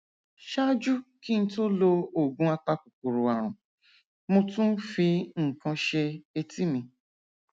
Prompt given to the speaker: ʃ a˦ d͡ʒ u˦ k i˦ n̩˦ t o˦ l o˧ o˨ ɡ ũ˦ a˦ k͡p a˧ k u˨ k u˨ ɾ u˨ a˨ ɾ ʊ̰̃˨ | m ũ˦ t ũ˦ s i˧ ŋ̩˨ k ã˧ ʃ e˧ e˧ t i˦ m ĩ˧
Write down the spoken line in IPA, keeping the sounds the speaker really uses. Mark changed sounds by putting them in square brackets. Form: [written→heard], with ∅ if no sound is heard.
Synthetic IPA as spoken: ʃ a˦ d͡ʒ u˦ k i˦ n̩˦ t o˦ l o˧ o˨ ɡ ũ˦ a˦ k͡p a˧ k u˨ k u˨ ɾ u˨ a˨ ɾ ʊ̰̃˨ | m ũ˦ t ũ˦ [s→f] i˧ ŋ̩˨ k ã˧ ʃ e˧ e˧ t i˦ m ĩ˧

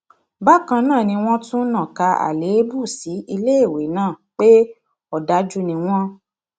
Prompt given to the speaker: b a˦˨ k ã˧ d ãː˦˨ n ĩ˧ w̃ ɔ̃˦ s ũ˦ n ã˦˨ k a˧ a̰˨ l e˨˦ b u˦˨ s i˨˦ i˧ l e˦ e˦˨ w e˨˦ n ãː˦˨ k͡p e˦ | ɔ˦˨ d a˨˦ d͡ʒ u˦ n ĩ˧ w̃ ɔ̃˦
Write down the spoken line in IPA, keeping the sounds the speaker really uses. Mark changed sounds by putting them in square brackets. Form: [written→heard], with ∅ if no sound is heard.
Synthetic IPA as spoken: b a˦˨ k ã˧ [d→n] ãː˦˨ n ĩ˧ w̃ ɔ̃˦ [s→t] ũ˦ n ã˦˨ k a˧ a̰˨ l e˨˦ b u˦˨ s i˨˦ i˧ l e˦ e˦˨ w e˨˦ n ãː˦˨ k͡p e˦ | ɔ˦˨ d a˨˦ d͡ʒ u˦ n ĩ˧ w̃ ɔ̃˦

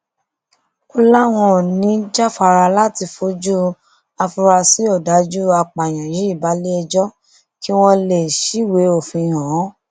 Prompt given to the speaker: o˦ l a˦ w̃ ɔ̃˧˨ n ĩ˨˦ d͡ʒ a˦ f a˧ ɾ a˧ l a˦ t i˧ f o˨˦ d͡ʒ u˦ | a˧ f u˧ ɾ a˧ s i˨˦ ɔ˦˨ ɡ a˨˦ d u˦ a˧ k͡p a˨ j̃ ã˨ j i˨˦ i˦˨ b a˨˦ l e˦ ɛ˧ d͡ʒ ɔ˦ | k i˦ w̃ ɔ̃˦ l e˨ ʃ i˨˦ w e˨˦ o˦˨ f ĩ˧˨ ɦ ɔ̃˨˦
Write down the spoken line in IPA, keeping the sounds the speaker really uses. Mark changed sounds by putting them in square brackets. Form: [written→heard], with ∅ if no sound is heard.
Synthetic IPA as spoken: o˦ l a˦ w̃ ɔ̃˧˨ n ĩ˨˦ d͡ʒ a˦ f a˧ ɾ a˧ l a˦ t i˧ f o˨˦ d͡ʒ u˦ | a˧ f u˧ ɾ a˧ s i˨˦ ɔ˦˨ [ɡ→d] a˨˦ [d→d͡ʒ] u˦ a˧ k͡p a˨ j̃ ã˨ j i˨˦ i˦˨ b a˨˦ l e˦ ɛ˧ d͡ʒ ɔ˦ | k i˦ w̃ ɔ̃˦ l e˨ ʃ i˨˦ w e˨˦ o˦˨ f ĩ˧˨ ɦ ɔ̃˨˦

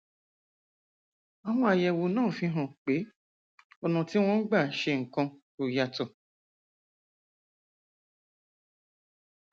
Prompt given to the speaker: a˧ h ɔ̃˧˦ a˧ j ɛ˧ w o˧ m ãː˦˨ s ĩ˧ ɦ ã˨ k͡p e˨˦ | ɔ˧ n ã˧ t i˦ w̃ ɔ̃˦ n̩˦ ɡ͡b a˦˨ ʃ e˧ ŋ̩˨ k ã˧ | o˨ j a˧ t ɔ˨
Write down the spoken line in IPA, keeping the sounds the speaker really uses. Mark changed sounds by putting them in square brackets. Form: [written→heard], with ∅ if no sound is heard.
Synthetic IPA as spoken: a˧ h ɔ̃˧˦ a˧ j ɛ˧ w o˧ [m→n] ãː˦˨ [s→f] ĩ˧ ɦ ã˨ k͡p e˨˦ | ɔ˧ n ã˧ t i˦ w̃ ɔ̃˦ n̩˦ ɡ͡b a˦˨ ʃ e˧ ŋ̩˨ k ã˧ | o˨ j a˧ t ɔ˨

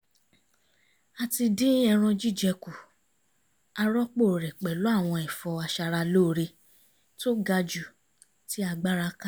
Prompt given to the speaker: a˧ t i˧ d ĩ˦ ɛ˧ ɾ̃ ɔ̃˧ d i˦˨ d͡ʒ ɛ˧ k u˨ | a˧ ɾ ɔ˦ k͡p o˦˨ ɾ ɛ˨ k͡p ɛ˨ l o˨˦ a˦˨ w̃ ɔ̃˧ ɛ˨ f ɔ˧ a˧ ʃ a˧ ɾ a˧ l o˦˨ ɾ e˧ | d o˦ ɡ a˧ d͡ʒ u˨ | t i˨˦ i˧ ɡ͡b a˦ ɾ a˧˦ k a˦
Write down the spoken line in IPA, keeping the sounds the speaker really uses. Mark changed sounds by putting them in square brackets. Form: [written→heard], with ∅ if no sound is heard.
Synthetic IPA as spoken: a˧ t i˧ d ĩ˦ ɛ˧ ɾ̃ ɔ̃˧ [d→d͡ʒ] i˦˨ d͡ʒ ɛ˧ k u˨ | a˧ ɾ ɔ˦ k͡p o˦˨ ɾ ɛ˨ k͡p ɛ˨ l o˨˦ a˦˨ w̃ ɔ̃˧ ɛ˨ f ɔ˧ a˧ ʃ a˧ ɾ a˧ l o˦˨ ɾ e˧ | [d→t] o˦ ɡ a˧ d͡ʒ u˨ | t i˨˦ [i˧→a˧] ɡ͡b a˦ ɾ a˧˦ k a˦

